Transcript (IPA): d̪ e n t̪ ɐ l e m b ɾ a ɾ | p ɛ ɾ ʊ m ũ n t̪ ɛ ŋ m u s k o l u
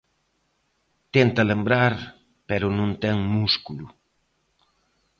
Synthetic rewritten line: t̪ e n t̪ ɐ l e m b ɾ a ɾ | p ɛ ɾ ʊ n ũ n t̪ ɛ ŋ m u s k u l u